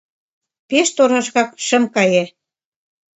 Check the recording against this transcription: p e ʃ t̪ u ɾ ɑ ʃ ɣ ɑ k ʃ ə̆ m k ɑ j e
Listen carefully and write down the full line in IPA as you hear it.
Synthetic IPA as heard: p e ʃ t̪ o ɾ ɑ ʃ ɣ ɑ k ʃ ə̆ m k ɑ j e